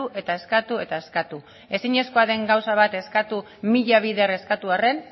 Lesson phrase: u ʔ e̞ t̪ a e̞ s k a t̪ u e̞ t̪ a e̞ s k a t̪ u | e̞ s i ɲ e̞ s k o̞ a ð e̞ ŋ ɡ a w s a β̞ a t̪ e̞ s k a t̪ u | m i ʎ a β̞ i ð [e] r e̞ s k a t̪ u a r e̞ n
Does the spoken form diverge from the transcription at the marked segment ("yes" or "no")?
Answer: no